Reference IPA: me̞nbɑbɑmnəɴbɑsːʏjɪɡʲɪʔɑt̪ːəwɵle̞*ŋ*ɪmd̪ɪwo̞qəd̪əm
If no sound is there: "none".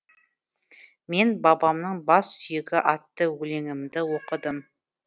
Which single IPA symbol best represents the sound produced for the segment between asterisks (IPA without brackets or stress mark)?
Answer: ŋ